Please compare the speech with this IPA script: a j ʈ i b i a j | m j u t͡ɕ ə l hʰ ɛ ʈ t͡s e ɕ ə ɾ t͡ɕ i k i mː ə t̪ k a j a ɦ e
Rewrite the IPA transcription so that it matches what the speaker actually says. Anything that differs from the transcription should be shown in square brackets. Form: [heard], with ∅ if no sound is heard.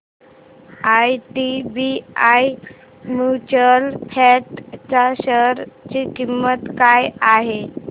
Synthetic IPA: a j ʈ i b i a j | m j u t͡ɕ ə l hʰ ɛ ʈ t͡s [a] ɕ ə ɾ t͡ɕ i k i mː ə t̪ k a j a ɦ e